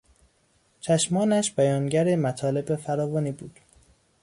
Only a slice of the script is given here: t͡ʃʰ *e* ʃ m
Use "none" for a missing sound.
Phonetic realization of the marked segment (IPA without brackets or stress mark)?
æ